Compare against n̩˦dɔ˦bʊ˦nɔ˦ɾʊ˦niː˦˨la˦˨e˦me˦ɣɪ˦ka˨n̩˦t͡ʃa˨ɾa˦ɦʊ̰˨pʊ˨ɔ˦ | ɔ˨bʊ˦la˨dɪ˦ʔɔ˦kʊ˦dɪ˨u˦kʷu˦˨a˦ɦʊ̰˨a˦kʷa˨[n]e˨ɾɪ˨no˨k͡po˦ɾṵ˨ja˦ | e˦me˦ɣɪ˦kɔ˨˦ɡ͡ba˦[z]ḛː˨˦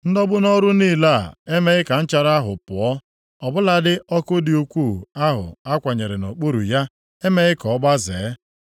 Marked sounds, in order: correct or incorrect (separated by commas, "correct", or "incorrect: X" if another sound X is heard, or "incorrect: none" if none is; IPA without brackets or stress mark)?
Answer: incorrect: ɲ, correct